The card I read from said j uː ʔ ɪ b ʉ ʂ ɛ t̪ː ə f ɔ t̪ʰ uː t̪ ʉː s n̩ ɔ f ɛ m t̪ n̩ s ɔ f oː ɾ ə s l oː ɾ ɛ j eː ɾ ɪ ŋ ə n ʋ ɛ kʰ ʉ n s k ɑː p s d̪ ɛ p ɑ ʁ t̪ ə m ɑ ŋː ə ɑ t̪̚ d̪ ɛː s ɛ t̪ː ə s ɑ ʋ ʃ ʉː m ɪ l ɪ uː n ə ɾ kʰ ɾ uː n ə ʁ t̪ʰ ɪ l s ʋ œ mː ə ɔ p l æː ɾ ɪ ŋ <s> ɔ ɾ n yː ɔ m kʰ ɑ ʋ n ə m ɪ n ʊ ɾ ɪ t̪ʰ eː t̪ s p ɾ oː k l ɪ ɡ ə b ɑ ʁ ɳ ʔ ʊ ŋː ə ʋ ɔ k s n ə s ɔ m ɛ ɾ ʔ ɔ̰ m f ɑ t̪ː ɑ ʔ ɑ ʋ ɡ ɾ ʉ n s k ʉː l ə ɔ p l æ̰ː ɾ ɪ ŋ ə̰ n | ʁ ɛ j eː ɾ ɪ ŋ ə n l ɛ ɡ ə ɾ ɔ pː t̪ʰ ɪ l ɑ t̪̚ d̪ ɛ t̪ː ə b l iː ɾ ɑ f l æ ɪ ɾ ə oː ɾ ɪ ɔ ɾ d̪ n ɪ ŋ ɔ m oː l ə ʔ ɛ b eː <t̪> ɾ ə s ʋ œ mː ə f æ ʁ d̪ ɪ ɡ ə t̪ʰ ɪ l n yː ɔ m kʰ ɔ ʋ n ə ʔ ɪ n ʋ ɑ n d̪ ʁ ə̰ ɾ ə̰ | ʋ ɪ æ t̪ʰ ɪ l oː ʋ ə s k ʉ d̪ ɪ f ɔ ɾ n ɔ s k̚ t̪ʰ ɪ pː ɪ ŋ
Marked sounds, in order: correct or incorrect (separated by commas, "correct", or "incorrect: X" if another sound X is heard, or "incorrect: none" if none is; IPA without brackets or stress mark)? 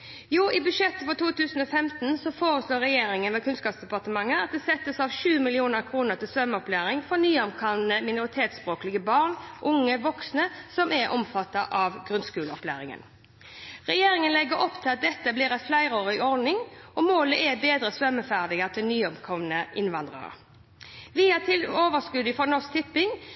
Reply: incorrect: f, incorrect: d̪